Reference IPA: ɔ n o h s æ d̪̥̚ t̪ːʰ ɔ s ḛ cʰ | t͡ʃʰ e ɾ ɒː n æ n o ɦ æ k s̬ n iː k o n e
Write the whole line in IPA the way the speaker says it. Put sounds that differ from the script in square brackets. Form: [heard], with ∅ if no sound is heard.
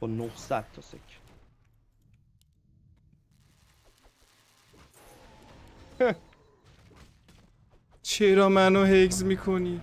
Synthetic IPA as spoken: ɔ n o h s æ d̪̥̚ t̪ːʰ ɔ s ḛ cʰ | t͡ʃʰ e ɾ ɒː [m] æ n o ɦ [e] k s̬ [m] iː [kʰ] o n [i]

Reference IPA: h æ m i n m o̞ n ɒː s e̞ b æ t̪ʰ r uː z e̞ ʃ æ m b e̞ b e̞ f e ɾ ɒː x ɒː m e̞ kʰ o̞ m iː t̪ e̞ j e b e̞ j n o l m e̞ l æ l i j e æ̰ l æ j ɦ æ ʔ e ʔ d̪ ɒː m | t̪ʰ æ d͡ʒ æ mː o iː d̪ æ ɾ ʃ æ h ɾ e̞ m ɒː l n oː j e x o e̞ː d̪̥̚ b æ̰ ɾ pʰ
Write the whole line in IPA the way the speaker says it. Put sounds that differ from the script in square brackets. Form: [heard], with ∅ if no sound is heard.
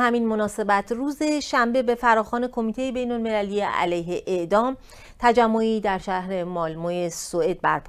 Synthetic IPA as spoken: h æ m i n m o̞ n ɒː s e̞ b æ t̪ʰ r uː z e̞ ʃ æ m b e̞ b e̞ f [æ] ɾ ɒː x ɒː [n] e̞ kʰ o̞ m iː t̪ e̞ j e b e̞ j n o l m e̞ l æ l i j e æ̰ l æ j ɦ [e] ʔ e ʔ d̪ ɒː m | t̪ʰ æ d͡ʒ æ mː o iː d̪ æ ɾ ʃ æ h ɾ e̞ m ɒː l [m] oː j e [s] o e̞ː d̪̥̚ b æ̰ ɾ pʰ

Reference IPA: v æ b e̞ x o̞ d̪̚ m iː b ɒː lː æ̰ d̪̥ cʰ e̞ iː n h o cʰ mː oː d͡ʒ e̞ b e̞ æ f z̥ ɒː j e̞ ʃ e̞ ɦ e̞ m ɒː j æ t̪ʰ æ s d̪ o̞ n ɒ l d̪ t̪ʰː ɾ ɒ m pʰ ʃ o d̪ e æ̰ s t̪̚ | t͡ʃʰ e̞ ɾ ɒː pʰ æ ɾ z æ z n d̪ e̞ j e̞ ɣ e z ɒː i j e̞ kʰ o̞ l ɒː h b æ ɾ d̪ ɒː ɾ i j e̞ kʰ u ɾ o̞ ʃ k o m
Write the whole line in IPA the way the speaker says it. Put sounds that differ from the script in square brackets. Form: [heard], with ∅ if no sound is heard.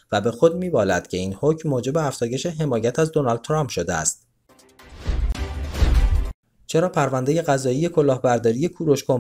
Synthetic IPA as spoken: v æ b e̞ x o̞ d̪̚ m iː b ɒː [l] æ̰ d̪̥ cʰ e̞ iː n h o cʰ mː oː d͡ʒ e̞ b e̞ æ f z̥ ɒː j e̞ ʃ e̞ ɦ e̞ m ɒː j æ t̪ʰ æ [z] d̪ o̞ n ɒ l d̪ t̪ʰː ɾ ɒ m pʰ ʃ o d̪ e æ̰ s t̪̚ | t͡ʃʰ e̞ ɾ ɒː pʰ æ ɾ [v] æ [∅] n d̪ e̞ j e̞ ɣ [æ] z ɒː i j e̞ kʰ o̞ l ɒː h b æ ɾ d̪ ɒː ɾ i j e̞ kʰ u ɾ o̞ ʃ k o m

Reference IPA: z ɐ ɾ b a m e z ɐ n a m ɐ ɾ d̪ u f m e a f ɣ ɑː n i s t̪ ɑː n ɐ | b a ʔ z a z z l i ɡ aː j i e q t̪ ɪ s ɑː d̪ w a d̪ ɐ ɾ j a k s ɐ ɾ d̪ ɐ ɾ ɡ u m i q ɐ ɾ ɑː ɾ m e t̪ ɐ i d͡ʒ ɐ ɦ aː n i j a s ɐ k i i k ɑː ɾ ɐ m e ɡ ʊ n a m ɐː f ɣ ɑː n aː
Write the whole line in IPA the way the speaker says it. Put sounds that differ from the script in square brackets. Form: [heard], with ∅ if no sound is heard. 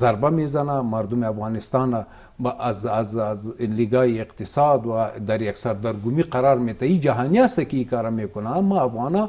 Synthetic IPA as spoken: z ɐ ɾ b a m e z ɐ n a m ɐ ɾ d̪ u [∅] m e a f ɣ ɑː n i s t̪ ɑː n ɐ | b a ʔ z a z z l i ɡ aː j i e q t̪ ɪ s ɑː d̪ w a d̪ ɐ ɾ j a k s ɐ ɾ d̪ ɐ ɾ ɡ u m i q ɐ ɾ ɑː ɾ m e t̪ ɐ i d͡ʒ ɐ ɦ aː n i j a s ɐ k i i k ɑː ɾ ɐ m e [k] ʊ n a m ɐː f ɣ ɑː n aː

